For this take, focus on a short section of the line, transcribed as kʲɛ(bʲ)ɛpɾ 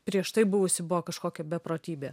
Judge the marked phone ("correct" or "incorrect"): correct